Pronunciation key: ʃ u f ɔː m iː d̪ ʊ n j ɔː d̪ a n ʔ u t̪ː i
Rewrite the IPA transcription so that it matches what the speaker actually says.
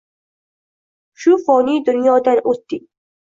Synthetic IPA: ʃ u f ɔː n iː d̪ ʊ n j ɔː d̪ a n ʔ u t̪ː i